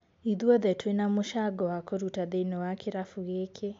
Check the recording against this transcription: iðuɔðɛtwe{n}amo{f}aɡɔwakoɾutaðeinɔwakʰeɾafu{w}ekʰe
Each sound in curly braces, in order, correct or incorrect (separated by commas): correct, incorrect, incorrect